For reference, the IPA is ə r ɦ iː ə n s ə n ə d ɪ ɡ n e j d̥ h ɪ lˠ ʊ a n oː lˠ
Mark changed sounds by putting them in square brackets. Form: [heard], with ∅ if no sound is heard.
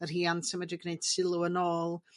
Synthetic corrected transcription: ə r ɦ iː [a] n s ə [m] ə d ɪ ɡ n e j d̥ [s] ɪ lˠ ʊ [ə] n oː lˠ

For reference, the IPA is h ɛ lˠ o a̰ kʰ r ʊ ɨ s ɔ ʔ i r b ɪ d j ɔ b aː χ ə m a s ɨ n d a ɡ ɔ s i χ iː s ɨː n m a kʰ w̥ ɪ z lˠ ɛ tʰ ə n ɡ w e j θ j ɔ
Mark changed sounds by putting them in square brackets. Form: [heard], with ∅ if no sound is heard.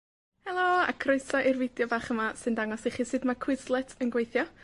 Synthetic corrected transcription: h ɛ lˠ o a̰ kʰ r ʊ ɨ s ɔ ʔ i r [v] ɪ d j ɔ b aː χ ə m a s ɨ n d a [ŋ] ɔ s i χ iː s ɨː [d] m a kʰ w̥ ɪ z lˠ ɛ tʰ ə n ɡ w e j θ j ɔ

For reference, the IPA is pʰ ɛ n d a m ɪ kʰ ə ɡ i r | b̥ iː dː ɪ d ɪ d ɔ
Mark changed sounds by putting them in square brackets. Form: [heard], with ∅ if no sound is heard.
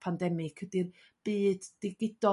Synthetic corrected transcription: pʰ [a] n d [ɛ] m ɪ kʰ ə [d] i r | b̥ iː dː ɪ [ɡ] ɪ d ɔ

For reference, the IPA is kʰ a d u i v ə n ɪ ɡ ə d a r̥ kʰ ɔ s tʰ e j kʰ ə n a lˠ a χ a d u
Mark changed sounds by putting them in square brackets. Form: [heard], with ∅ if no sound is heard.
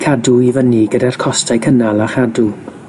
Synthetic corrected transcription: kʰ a d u i v ə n [i] ɡ ə d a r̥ kʰ ɔ s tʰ [a] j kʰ ə n a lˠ a χ a d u

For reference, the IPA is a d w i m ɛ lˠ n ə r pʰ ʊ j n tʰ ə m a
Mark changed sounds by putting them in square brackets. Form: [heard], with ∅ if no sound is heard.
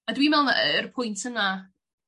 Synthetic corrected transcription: a d w i m ɛ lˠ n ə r pʰ ʊ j n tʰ ə [n] a

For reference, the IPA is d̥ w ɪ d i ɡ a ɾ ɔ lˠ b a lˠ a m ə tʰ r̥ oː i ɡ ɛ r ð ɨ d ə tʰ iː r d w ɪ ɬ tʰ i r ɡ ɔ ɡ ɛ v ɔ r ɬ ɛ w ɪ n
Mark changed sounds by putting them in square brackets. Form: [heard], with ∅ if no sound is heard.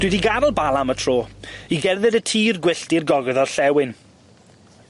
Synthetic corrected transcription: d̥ w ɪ d i ɡ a ɾ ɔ lˠ b a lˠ a m ə tʰ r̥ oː i ɡ ɛ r ð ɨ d ə tʰ iː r [ɡ] w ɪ ɬ [t] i r ɡ ɔ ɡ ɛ [ð] ɔ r ɬ ɛ w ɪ n

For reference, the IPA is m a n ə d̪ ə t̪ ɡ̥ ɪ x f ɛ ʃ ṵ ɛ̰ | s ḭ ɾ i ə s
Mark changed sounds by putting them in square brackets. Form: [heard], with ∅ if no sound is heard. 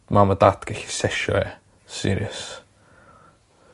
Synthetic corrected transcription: m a [m] ə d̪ [a] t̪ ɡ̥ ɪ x [s] ɛ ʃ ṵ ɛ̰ | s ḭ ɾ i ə s

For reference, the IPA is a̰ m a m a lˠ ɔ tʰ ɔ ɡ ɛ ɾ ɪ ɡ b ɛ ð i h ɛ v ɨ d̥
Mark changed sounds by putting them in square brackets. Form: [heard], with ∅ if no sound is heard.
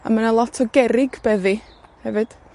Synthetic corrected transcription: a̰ m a [n] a lˠ ɔ tʰ ɔ ɡ ɛ ɾ ɪ ɡ b ɛ ð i h ɛ v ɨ d̥

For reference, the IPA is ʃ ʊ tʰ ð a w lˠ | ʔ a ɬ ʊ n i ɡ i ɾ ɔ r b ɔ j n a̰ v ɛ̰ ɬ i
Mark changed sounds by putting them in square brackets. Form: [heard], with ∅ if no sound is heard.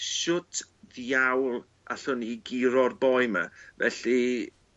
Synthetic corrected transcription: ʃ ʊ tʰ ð a w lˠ | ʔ a ɬ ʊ n i ɡ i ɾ ɔ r b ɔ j [m] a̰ v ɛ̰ ɬ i

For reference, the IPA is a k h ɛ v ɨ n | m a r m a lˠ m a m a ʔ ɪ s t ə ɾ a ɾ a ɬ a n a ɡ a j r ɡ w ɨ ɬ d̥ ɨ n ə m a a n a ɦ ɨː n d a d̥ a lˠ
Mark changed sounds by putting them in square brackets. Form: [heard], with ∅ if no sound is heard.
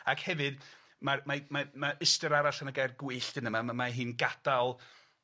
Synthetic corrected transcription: a k h ɛ v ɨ [d] | m a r m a [∅] m a m a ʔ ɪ s t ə ɾ a ɾ a ɬ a n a ɡ a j r ɡ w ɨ ɬ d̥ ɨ n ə m a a [m] a ɦ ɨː n [ɡ] a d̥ a lˠ

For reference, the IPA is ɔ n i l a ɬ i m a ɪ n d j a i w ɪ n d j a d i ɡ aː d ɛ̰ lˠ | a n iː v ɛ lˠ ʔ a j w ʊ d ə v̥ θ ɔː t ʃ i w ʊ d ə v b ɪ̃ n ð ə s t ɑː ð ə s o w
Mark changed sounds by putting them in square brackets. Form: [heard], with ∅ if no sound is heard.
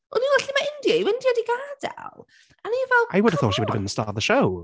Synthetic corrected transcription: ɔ n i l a ɬ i m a ɪ n d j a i w ɪ n d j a d i ɡ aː d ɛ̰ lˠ | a n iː v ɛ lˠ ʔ a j w ʊ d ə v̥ θ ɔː t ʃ i w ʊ d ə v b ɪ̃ n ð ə s t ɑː ð ə [ʃ] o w

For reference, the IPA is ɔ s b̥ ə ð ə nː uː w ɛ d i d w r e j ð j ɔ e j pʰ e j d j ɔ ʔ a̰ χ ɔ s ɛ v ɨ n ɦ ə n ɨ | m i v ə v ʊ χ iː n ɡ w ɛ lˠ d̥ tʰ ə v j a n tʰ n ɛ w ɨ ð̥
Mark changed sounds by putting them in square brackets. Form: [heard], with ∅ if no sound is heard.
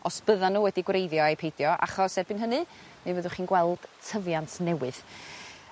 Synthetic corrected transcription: ɔ s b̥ ə ð [a] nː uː w ɛ d i [ɡ] w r e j ð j ɔ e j pʰ e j d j ɔ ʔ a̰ χ ɔ s ɛ [b] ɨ n ɦ ə n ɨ | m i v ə [ð] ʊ χ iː n ɡ w ɛ lˠ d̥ tʰ ə v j a n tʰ n ɛ w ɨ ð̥

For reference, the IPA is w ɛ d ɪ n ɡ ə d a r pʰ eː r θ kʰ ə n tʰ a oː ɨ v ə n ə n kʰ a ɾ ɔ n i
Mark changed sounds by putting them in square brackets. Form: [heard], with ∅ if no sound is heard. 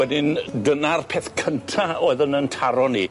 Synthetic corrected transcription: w ɛ d ɪ n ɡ ə [n] a r pʰ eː [∅] θ kʰ ə n tʰ a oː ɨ [ð] ə n ə n [tʰ] a ɾ ɔ n i

